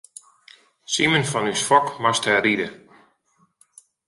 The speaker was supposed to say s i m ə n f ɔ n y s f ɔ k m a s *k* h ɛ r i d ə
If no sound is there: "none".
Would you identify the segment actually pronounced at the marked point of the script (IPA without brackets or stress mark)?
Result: t